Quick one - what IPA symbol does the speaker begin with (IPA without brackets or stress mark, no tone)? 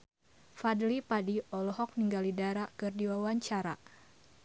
f